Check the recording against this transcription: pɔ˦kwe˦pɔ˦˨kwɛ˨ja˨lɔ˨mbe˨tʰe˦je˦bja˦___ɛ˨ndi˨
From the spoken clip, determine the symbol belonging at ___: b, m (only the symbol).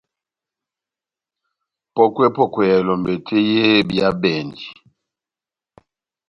b